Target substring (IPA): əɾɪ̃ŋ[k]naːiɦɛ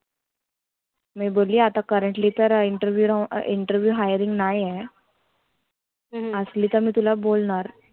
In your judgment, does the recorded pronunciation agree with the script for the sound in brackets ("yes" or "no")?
no